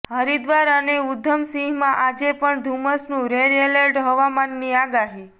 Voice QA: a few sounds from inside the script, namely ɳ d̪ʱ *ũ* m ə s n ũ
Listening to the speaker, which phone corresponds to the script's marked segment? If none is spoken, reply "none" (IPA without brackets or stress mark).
u